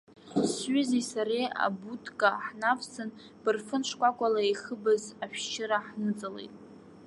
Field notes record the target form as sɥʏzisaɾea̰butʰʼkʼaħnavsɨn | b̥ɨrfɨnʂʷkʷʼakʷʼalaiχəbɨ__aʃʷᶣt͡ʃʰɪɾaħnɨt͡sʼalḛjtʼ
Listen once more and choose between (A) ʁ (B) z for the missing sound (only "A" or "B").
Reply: B